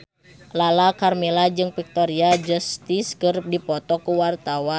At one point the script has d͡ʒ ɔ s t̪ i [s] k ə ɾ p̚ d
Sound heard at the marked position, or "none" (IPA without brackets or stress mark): s